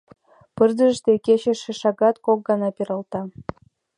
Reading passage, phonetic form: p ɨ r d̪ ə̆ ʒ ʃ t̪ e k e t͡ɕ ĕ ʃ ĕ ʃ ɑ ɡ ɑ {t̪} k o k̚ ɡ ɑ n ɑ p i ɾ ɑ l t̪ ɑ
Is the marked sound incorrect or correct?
correct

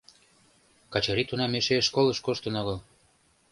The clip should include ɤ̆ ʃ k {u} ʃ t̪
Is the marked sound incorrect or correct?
incorrect: o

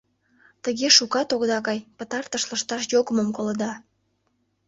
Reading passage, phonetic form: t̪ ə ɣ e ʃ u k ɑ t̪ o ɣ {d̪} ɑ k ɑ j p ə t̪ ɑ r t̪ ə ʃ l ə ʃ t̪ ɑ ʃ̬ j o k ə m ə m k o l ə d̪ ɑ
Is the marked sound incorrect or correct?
correct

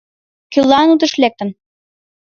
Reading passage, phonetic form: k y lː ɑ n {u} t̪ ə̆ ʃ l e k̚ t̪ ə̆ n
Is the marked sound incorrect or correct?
correct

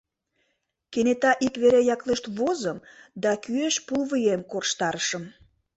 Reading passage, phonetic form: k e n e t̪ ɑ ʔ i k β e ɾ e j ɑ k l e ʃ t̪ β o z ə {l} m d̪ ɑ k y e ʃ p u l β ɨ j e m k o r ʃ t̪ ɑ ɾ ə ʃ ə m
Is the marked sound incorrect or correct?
incorrect: none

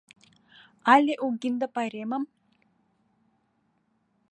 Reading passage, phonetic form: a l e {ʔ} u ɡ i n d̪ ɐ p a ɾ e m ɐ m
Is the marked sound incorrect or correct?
correct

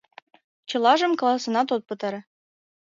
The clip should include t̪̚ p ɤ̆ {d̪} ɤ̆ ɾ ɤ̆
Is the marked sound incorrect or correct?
incorrect: t̪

